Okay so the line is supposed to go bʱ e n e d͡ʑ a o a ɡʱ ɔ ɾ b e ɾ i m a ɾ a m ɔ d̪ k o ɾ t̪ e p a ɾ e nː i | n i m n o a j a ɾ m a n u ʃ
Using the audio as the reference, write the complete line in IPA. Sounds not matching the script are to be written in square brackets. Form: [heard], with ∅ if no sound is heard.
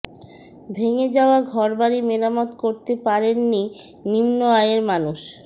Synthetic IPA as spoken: bʱ e [ŋ] e d͡ʑ a o a ɡʱ ɔ ɾ b [a] ɾ i m [e] ɾ a m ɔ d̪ k o ɾ t̪ e p a ɾ e nː i | n i m n o a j [e] ɾ m a n u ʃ